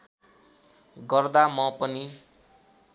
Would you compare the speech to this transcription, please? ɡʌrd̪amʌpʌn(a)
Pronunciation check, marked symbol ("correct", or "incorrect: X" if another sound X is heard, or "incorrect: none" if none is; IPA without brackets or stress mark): incorrect: i